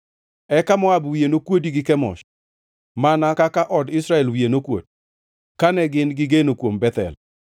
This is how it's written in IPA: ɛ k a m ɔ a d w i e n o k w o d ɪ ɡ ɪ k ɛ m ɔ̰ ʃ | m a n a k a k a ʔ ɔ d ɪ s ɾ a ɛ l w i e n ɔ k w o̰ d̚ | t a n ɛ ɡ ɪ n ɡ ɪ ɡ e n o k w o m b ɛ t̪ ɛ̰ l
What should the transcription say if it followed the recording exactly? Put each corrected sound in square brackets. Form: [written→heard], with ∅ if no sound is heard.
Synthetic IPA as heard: ɛ k a m ɔ a [d→b] w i e n o k w o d [ɪ→i] ɡ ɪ k ɛ m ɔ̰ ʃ | m a n a k a k a ʔ ɔ d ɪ s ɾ a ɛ l w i e n [ɔ→o] k w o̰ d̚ | [t→k] a n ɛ ɡ ɪ n ɡ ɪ ɡ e n o k w o m b ɛ t̪ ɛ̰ l